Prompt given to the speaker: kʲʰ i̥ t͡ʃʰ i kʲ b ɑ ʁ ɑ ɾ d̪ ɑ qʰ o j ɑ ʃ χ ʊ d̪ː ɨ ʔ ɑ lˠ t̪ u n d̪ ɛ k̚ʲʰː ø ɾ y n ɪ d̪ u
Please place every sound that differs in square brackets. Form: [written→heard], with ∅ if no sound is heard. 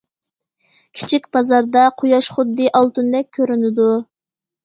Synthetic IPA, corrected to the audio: kʲʰ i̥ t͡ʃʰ i kʲ b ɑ [ʁ→z] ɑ ɾ d̪ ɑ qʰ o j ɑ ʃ χ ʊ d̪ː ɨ ʔ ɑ lˠ t̪ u n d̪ ɛ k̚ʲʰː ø ɾ y n ɪ d̪ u